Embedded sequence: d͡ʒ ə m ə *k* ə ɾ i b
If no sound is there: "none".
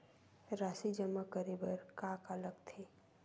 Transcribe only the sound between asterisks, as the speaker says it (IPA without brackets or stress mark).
k